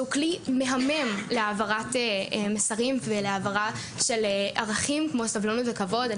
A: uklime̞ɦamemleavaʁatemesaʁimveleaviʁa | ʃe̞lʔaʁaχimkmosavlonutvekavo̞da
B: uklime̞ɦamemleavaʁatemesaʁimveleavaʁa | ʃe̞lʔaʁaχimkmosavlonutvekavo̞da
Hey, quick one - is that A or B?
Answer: B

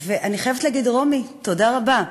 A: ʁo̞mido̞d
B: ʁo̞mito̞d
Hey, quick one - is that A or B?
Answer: B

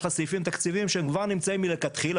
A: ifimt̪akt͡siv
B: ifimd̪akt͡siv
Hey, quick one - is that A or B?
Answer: A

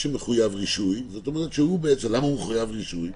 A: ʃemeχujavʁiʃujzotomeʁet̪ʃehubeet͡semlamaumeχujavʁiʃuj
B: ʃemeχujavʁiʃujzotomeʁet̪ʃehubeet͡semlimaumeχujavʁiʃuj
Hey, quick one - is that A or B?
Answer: A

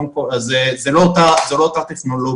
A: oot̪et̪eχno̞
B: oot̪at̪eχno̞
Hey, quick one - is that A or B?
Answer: B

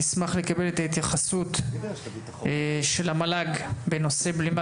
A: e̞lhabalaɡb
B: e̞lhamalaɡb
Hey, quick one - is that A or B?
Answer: B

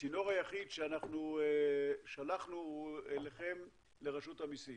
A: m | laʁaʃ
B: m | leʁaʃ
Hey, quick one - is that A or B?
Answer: B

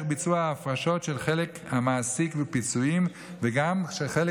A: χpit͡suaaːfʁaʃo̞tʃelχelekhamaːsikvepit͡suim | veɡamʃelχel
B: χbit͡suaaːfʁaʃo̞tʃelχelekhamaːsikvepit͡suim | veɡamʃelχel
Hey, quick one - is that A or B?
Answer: B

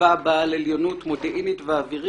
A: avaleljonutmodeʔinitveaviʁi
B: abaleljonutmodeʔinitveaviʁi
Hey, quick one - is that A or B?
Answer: B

